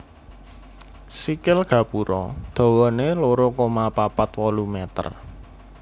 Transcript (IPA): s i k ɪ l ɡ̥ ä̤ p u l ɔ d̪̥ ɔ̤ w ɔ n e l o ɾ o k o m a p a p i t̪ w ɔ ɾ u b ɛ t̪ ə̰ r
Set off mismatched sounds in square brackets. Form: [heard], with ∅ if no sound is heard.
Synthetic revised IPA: s i k ɪ l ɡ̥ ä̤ p u [ɾ] ɔ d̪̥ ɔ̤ w ɔ n e l o ɾ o k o m a p a p [a] t̪ w ɔ [l] u [m] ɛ t̪ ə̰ r